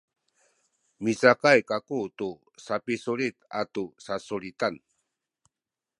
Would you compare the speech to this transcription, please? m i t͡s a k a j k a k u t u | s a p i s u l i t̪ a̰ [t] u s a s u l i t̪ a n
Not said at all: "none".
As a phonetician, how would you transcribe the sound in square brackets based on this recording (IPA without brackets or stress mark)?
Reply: t